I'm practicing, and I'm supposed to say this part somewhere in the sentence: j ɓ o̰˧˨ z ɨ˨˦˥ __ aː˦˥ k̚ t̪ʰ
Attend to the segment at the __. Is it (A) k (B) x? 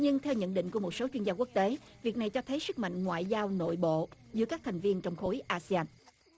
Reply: A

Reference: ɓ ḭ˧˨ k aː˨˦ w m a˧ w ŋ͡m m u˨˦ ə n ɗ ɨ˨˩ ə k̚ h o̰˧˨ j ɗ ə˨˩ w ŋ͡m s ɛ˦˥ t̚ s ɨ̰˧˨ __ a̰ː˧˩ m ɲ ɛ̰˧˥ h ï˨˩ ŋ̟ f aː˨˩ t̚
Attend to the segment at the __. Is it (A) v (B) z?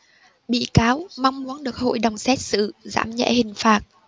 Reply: B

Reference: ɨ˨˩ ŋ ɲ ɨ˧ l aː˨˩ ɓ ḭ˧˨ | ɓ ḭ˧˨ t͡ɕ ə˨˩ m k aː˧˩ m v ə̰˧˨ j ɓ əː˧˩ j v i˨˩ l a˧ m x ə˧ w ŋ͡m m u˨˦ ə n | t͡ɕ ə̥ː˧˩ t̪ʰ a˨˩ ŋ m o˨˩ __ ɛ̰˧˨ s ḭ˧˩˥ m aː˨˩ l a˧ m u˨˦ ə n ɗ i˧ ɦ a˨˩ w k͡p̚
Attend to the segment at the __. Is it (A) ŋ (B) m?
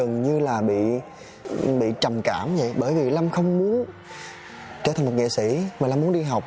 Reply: A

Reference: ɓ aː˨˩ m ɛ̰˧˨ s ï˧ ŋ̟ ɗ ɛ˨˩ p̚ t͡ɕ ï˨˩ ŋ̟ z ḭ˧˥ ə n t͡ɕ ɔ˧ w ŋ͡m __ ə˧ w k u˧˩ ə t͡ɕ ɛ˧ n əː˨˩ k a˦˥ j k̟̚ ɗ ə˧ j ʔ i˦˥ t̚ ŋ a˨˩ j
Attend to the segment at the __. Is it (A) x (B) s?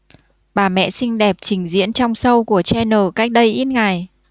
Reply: B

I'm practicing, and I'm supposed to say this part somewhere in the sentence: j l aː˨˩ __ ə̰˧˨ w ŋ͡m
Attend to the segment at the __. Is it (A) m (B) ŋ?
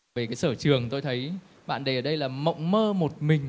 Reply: A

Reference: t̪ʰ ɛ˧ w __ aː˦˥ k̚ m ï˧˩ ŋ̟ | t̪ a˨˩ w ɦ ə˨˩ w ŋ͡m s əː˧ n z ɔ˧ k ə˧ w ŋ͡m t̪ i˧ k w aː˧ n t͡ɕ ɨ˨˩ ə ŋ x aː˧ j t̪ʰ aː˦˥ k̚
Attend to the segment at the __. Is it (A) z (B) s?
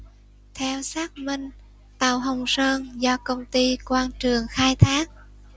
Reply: B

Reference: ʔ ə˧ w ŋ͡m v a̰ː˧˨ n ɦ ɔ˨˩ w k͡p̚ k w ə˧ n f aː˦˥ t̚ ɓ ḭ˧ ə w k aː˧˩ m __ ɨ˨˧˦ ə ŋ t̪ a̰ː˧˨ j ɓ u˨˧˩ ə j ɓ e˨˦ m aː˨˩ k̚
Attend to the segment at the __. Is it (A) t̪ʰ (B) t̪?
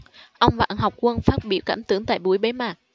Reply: B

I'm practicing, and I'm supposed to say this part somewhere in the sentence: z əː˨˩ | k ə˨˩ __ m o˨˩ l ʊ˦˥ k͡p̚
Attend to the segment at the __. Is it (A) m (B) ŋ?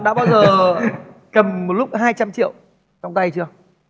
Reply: A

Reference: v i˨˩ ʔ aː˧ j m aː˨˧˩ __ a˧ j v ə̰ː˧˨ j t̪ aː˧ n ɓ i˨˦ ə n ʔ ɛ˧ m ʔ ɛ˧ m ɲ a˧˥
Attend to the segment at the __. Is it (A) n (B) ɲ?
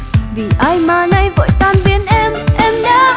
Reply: A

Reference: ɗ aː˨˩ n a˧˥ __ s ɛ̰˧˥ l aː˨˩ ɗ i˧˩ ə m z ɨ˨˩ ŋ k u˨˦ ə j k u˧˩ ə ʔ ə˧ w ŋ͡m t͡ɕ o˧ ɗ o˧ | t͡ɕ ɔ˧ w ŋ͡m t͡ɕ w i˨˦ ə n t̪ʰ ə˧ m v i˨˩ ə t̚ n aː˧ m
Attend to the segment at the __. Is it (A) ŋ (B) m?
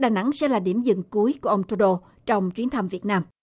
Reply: A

